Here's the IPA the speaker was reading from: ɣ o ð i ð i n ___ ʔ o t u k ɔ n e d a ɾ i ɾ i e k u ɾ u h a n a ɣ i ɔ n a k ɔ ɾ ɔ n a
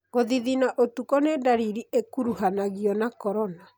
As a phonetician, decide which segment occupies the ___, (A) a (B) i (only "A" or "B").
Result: A